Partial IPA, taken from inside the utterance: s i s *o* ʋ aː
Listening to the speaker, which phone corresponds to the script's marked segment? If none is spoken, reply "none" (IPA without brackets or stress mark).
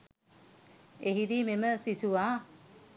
u